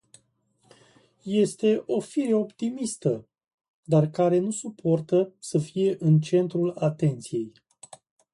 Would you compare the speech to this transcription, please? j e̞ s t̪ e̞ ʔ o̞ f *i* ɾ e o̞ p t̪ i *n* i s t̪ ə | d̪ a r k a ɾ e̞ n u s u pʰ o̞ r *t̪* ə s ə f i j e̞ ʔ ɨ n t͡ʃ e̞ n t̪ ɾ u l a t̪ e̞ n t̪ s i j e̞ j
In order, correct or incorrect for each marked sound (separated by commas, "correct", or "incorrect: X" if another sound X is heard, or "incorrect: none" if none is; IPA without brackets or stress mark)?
correct, incorrect: m, correct